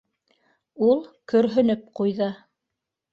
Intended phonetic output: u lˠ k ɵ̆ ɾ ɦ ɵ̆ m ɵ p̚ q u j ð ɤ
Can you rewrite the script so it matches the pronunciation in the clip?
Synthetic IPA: u lˠ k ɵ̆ ɾ ɦ ɵ̆ n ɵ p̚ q u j ð ɤ